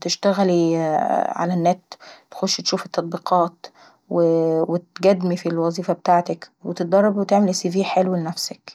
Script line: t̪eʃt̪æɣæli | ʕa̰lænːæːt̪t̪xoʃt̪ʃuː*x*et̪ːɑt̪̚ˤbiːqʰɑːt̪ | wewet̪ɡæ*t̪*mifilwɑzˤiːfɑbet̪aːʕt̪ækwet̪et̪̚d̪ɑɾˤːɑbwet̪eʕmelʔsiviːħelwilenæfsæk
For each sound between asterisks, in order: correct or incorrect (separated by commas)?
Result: incorrect, incorrect